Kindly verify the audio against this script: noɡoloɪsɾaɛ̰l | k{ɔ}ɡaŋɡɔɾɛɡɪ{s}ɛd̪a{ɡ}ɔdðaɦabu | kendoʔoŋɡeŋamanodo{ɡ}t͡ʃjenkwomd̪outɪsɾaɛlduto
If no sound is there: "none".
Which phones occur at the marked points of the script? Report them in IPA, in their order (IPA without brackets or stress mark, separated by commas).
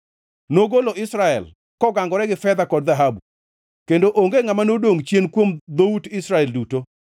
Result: ɔ, f, k, ŋ